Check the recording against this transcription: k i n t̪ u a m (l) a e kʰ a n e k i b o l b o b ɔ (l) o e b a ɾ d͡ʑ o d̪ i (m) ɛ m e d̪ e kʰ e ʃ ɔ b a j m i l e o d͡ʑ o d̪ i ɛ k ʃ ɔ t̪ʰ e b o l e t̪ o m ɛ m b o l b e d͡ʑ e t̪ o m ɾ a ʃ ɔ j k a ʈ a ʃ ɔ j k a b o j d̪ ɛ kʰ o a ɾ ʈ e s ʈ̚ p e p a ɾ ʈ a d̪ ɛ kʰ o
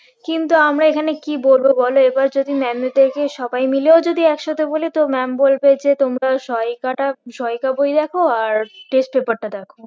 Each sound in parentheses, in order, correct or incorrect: incorrect, correct, correct

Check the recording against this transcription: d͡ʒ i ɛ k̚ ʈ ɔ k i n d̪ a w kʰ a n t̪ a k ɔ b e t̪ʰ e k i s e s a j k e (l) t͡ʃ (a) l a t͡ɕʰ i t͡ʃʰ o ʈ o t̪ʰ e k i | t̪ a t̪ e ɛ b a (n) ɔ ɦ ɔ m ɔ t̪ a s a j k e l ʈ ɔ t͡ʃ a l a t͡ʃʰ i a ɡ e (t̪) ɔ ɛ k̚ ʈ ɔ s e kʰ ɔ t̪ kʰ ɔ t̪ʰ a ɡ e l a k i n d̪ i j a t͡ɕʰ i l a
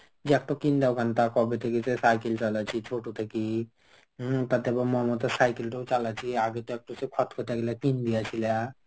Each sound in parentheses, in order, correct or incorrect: correct, correct, incorrect, correct

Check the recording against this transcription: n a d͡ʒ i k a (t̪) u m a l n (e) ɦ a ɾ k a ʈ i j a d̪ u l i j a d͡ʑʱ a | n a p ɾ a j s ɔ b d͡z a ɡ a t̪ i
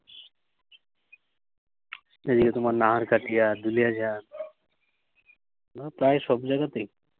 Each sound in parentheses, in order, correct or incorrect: correct, incorrect

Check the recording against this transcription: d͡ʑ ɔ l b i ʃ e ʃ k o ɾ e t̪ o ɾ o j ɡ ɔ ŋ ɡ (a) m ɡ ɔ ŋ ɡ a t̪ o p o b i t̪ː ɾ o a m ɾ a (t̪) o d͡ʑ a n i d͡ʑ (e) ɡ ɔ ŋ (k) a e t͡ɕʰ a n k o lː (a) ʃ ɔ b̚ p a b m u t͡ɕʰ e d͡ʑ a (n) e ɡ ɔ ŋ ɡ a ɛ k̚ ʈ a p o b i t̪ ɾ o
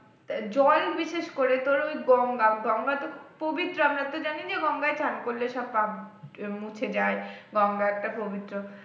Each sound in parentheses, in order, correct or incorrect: correct, correct, correct, incorrect, incorrect, incorrect

